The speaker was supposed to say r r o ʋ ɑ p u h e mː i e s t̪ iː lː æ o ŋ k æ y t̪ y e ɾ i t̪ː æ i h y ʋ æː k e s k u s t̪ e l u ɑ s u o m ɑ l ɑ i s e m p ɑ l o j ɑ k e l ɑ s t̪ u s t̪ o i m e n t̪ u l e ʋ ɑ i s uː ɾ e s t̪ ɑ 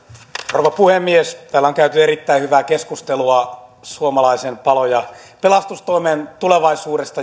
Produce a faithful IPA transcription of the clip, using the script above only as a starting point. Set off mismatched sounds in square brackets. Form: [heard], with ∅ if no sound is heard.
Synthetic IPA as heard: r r o ʋ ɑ p u h e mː i e s t̪ [æː] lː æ o ŋ k æ y t̪ y e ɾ i t̪ː æ i h y ʋ æː k e s k u s t̪ e l u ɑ s u o m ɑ l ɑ i s e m p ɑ l o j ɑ [p] e l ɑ s t̪ u s t̪ o i m e n t̪ u l e ʋ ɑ i s uː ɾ e s t̪ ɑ